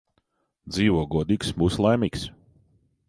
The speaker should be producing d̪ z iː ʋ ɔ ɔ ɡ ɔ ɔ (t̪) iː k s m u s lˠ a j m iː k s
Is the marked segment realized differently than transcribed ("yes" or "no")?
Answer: yes